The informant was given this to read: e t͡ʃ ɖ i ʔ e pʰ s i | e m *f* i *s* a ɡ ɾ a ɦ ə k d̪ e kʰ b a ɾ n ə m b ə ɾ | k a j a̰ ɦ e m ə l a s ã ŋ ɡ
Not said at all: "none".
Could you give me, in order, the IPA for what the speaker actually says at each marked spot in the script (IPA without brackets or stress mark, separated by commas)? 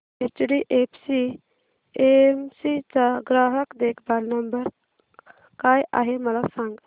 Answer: s, t͡s